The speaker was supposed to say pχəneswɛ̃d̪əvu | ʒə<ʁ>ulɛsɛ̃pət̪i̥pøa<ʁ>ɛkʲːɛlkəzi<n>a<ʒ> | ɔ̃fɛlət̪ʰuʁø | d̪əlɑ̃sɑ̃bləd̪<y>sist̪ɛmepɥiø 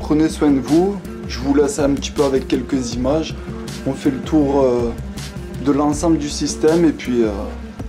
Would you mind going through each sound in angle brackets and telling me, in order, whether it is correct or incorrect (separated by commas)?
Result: incorrect, incorrect, incorrect, correct, correct